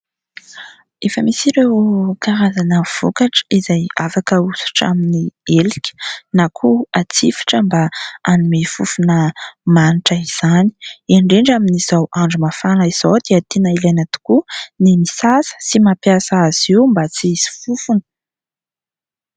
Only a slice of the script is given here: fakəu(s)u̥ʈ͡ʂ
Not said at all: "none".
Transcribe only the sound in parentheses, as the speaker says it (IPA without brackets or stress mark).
s